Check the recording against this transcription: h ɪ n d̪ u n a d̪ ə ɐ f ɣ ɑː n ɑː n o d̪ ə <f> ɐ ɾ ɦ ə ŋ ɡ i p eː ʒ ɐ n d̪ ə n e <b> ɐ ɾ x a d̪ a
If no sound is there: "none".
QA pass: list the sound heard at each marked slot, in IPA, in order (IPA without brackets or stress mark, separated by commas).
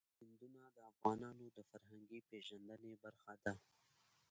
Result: f, b